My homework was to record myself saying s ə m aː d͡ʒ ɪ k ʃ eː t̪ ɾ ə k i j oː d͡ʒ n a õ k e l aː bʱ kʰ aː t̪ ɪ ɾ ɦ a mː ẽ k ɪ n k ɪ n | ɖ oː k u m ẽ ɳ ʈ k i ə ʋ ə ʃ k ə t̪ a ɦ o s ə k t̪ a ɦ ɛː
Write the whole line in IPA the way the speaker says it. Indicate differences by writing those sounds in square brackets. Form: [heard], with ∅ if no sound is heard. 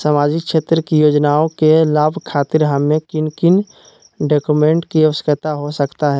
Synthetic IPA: s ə m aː d͡ʒ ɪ k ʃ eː t̪ ɾ ə k i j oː d͡ʒ n a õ k e l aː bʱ kʰ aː t̪ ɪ ɾ ɦ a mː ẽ k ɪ n k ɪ n | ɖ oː k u m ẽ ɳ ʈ k i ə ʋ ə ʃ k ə t̪ a ɦ o s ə k t̪ a ɦ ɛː

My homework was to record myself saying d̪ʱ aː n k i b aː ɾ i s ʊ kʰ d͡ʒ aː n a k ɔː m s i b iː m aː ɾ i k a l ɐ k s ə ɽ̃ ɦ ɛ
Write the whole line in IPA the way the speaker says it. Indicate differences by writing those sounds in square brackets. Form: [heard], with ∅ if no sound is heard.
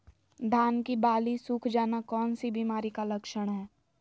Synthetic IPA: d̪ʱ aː n k i b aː [l] i s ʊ kʰ d͡ʒ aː n a k ɔː [n] s i b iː m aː ɾ i k a l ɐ k [ʃ] ə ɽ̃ ɦ [ɛː]

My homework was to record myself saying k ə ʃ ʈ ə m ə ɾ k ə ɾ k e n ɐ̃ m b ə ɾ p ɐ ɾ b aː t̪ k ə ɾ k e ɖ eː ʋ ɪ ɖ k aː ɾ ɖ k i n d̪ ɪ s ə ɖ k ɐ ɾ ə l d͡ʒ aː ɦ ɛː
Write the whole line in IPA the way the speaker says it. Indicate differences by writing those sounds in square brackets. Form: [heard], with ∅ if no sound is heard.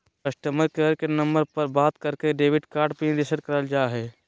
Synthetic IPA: k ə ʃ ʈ ə m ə ɾ k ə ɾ k e n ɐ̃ m b ə ɾ p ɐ ɾ b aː t̪ k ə ɾ k e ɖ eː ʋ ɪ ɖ k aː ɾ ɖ [p] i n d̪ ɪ s ə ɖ k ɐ ɾ ə l d͡ʒ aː ɦ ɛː

